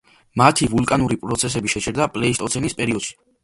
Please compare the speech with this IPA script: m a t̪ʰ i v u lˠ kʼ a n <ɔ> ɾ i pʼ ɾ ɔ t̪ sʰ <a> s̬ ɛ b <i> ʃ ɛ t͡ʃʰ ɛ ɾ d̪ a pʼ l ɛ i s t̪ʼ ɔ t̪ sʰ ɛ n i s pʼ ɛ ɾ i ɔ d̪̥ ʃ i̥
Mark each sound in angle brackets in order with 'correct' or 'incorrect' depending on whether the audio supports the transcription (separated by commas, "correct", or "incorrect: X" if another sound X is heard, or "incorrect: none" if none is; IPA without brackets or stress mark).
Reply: incorrect: u, incorrect: ɛ, correct